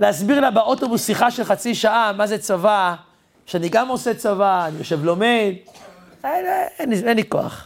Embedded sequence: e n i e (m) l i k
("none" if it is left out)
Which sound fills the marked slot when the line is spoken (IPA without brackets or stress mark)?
n